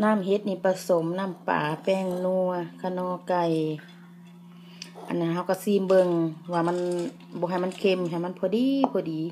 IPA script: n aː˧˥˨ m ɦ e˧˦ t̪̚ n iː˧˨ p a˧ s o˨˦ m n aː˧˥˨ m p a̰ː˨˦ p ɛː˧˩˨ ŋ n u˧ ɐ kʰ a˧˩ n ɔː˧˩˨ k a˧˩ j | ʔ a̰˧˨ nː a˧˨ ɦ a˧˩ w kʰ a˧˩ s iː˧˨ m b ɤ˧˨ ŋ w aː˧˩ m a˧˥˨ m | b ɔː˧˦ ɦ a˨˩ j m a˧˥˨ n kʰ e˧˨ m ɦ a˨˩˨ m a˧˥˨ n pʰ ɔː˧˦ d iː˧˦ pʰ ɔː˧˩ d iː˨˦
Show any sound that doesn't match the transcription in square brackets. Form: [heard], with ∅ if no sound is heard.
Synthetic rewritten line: n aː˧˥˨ m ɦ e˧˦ t̪̚ n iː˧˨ p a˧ s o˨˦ m n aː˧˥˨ m p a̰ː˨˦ p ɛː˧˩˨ ŋ n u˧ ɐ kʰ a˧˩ n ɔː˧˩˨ k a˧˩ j | ʔ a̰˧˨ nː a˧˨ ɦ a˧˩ w [k] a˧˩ s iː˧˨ m b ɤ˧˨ ŋ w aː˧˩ m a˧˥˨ [n] | b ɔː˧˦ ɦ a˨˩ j m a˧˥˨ n kʰ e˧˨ m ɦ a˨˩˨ m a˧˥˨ n pʰ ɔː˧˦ d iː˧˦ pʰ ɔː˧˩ d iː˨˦

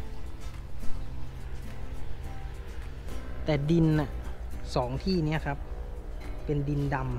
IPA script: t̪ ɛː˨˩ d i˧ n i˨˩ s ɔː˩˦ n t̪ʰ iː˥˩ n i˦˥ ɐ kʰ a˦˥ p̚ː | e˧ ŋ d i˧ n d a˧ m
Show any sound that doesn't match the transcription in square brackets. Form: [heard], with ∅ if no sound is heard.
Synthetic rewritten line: t̪ ɛː˨˩ d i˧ n [a˨˩] s ɔː˩˦ [ŋ] t̪ʰ iː˥˩ n i˦˥ ɐ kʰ a˦˥ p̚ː | e˧ [n] d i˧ n d a˧ m

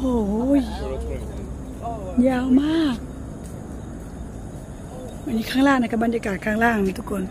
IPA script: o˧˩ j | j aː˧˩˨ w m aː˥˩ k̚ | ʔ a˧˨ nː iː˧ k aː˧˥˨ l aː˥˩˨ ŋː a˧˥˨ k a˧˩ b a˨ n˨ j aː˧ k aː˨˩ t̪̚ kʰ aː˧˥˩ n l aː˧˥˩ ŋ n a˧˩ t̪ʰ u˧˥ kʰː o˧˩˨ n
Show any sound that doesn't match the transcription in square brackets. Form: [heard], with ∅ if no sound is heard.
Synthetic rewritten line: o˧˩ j | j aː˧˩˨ w m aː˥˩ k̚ | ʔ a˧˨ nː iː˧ [kʰ] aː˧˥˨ l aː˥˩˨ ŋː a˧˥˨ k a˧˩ b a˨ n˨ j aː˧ k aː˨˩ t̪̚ kʰ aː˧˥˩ [ŋ] l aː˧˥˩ ŋ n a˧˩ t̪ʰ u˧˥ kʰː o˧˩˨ n

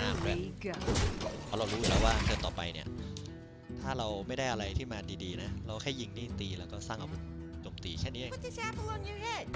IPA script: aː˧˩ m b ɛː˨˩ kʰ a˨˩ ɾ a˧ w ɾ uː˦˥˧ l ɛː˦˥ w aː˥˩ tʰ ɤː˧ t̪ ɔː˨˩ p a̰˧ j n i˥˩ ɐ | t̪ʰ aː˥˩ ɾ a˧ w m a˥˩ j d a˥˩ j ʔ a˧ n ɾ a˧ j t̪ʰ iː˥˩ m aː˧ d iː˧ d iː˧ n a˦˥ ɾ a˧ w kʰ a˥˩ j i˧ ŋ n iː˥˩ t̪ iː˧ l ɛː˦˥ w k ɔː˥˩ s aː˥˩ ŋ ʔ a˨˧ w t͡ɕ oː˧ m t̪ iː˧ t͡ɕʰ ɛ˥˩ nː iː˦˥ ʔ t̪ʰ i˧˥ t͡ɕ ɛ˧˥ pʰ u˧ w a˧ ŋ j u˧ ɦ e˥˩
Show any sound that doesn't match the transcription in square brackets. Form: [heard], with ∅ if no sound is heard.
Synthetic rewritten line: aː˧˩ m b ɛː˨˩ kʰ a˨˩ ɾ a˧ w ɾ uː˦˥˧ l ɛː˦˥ w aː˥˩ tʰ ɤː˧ t̪ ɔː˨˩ p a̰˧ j n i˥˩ ɐ | t̪ʰ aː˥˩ ɾ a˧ w m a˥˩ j d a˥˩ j ʔ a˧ [∅] ɾ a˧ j t̪ʰ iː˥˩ m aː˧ d iː˧ d iː˧ n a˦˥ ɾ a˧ w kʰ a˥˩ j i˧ ŋ n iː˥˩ t̪ iː˧ l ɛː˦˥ w k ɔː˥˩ s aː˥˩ ŋ ʔ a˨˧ w t͡ɕ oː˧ m t̪ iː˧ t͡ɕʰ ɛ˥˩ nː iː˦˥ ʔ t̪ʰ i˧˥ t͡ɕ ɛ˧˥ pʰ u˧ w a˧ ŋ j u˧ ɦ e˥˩

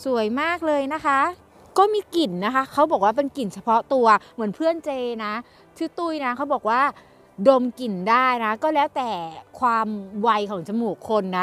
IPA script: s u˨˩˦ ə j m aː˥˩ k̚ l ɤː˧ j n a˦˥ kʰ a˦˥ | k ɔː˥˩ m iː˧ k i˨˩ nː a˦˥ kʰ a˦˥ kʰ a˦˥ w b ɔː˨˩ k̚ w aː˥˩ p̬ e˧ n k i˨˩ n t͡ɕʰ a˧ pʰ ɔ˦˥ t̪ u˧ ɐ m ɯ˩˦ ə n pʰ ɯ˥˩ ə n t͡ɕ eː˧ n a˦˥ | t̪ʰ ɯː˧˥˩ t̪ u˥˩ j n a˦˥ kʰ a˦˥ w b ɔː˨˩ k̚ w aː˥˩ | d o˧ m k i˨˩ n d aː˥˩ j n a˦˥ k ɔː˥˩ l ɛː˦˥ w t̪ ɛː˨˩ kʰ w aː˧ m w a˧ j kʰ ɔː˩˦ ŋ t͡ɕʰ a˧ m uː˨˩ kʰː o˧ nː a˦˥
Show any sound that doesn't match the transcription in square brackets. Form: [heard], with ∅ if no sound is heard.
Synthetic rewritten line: s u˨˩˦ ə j m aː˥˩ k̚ l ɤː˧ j n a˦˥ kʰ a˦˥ | k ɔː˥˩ m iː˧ k i˨˩ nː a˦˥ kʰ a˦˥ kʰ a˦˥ w b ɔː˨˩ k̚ w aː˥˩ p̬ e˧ n k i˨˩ n t͡ɕʰ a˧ pʰ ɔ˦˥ t̪ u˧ ɐ m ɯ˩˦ ə n pʰ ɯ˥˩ ə n t͡ɕ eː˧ n a˦˥ | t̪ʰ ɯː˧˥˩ t̪ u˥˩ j n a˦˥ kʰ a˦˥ w b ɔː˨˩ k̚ w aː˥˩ | d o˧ m k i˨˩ n d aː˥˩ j n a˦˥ k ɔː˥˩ l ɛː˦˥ w t̪ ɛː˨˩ kʰ w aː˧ m w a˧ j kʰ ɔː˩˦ ŋ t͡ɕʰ a˧ m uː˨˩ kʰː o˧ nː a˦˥

